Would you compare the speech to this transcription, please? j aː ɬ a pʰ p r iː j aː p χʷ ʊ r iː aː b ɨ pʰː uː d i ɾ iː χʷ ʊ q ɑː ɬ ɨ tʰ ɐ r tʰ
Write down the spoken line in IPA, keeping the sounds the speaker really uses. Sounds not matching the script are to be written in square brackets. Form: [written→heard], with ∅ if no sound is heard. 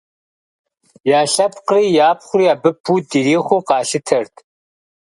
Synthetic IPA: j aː ɬ [a→ɐ] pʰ [p→q] r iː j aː p χʷ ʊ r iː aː b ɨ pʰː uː d i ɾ iː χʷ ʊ q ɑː ɬ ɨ tʰ ɐ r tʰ